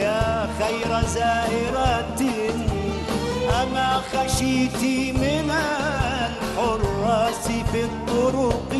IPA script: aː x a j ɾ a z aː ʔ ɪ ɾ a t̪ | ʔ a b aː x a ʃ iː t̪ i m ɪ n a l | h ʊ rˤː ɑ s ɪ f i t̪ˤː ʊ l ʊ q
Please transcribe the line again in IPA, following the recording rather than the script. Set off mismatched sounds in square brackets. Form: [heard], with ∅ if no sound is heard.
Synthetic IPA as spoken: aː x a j ɾ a z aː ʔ ɪ ɾ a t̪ | ʔ a [m] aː x a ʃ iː t̪ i m ɪ n a l | [ħ] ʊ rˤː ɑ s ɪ f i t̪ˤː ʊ [ɾ] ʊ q